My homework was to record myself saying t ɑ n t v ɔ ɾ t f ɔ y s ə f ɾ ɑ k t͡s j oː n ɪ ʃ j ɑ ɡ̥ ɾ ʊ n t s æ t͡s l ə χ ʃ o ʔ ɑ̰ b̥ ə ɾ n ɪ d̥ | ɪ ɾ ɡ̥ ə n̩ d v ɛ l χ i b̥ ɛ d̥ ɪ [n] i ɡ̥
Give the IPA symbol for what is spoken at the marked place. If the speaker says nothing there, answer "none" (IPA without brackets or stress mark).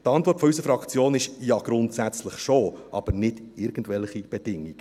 ŋ